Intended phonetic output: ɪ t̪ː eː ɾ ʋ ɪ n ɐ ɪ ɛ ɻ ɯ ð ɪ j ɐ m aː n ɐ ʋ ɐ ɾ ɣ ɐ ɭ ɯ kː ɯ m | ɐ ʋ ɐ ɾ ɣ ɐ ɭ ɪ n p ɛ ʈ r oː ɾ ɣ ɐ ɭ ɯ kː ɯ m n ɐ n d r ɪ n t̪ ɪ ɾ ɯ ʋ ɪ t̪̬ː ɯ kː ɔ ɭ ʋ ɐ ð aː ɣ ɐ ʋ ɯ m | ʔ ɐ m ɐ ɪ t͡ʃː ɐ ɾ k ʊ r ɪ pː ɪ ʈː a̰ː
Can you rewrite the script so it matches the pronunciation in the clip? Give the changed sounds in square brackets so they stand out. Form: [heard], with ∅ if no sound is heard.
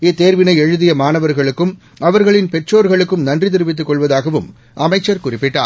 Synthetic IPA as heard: ɪ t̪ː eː ɾ ʋ ɪ n ɐ ɪ ɛ ɻ ɯ ð ɪ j ɐ m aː n ɐ ʋ ɐ ɾ ɣ ɐ ɭ ɯ kː ɯ m | ɐ ʋ ɐ ɾ ɣ ɐ ɭ ɪ n p ɛ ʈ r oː ɾ ɣ ɐ ɭ ɯ kː ɯ m n ɐ n d r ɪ [∅] t̪ ɪ ɾ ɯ ʋ ɪ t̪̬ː ɯ kː ɔ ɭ ʋ ɐ ð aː ɣ ɐ ʋ ɯ m | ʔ ɐ m ɐ ɪ t͡ʃː ɐ ɾ k ʊ r ɪ pː ɪ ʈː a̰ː